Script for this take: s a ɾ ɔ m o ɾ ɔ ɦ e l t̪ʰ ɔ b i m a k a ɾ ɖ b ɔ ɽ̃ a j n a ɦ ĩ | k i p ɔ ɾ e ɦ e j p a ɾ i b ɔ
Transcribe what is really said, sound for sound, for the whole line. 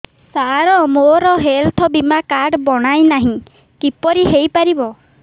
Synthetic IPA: s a ɾ ɔ m o ɾ ɔ ɦ e l t̪ʰ ɔ b i m a k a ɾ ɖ b ɔ ɽ̃ a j n a ɦ ĩ | k i p ɔ ɾ i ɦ e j p a ɾ i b ɔ